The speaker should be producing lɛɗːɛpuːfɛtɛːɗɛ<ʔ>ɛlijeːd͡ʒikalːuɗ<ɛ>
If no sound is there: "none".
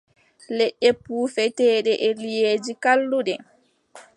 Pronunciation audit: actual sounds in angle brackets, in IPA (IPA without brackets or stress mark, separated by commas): ʔ, ɛ